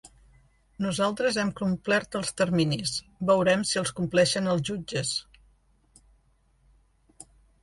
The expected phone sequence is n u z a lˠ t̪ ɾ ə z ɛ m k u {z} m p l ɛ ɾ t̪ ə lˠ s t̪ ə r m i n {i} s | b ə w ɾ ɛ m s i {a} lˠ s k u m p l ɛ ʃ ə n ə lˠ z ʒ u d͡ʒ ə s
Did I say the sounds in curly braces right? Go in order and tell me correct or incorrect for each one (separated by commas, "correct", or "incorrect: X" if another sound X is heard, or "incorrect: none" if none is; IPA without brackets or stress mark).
incorrect: none, correct, incorrect: ə